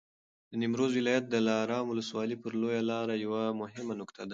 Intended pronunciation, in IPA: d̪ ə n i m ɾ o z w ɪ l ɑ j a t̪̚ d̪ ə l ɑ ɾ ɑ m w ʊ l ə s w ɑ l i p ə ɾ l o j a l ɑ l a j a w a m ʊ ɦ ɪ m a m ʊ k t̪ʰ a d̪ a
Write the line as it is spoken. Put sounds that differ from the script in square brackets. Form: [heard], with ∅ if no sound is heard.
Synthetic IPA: d̪ ə n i m ɾ o z w ɪ l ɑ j a t̪̚ d̪ ə l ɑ ɾ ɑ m w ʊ l ə s w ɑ l i p ə ɾ l o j a l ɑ [ɾ] a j a w a m ʊ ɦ ɪ m a [n] ʊ k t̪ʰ a d̪ a